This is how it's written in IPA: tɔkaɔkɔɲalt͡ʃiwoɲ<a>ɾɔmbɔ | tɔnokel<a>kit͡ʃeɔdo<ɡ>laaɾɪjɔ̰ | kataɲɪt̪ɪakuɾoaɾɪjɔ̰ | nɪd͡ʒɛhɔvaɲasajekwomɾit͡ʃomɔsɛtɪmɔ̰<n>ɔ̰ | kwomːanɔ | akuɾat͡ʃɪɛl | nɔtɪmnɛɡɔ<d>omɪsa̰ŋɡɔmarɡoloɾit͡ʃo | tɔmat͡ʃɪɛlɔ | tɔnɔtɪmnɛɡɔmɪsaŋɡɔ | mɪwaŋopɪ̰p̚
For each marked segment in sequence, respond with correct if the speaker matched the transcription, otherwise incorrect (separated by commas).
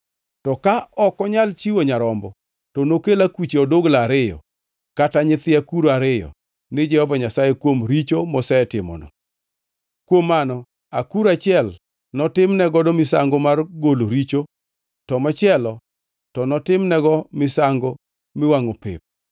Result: correct, correct, correct, correct, correct